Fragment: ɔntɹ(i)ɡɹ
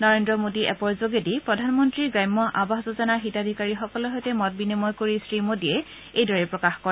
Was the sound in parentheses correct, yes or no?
yes